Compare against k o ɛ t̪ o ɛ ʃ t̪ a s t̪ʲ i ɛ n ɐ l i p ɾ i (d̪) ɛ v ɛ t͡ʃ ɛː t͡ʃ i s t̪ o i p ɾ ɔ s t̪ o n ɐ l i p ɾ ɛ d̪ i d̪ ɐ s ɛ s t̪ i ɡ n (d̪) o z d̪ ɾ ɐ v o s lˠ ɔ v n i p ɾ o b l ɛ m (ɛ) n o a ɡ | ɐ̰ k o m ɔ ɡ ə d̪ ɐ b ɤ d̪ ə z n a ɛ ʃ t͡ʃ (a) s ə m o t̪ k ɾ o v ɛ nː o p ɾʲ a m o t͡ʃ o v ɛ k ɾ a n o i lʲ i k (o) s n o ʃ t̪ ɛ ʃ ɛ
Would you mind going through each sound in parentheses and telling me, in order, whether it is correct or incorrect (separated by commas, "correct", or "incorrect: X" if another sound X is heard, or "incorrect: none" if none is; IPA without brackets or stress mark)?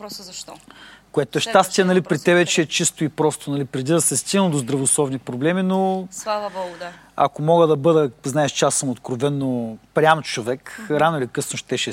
incorrect: t̪, correct, incorrect: i, correct, incorrect: ɤ